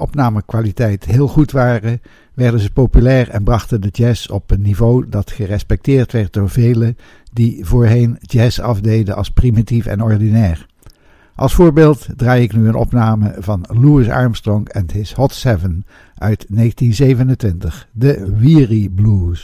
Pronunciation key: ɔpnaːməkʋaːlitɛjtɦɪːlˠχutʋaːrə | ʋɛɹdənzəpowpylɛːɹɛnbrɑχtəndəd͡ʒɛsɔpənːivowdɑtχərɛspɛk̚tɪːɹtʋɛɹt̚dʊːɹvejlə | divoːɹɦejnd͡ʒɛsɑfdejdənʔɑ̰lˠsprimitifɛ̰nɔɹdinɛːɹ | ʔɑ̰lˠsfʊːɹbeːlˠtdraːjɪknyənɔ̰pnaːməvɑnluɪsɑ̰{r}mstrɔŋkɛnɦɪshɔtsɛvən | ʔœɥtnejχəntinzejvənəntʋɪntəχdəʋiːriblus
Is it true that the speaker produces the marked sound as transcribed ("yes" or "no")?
no